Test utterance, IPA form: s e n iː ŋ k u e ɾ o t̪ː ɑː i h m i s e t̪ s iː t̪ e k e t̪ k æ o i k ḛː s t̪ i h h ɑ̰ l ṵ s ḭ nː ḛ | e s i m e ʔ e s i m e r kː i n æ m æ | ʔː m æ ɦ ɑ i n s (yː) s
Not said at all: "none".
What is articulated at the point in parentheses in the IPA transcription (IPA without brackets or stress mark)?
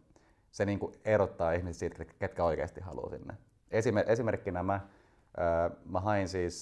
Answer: iː